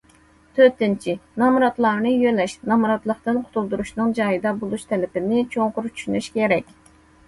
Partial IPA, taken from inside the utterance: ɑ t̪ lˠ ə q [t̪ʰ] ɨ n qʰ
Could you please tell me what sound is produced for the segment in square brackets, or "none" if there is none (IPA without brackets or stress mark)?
t̪